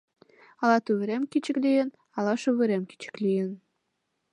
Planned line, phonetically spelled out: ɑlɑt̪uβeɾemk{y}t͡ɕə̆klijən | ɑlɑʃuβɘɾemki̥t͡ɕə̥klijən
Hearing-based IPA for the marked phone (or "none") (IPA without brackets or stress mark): i